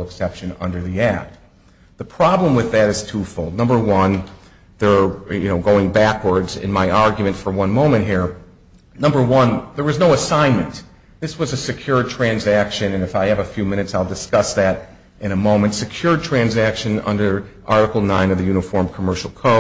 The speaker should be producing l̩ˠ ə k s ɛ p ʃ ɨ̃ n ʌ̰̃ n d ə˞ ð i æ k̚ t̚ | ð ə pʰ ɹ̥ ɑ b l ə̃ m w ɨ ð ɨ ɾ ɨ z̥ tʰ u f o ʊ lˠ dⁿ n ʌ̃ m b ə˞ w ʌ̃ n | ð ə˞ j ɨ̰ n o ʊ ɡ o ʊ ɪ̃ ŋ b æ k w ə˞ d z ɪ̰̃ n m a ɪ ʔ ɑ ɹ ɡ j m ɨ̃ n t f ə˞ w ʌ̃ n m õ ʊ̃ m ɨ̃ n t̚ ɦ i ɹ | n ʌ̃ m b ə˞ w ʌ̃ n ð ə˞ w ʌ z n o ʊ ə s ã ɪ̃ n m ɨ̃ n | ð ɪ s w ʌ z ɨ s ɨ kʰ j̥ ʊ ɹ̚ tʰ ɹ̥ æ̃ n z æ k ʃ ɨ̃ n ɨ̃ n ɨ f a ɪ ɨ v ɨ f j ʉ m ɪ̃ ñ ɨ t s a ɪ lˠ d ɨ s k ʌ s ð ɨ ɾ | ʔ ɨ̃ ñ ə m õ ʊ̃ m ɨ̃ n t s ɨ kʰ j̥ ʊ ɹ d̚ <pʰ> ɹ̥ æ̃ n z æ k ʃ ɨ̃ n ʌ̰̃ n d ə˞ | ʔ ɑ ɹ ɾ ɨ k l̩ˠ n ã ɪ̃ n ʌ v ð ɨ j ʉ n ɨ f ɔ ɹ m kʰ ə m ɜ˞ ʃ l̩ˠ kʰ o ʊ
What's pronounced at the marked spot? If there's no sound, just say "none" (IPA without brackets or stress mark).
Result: tʰ